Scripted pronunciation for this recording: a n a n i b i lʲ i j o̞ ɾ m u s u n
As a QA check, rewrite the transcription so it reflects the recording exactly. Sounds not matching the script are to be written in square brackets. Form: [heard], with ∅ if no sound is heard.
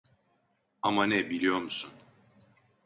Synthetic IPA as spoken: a [m] a n [ɛ] b i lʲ i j o̞ ɾ m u s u n